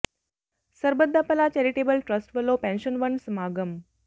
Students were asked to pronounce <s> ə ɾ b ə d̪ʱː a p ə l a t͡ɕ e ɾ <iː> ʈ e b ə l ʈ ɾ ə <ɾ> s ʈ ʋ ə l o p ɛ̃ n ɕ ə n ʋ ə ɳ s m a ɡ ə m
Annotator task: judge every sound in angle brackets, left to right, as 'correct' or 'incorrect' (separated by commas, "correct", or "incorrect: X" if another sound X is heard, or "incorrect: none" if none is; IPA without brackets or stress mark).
correct, incorrect: i, incorrect: none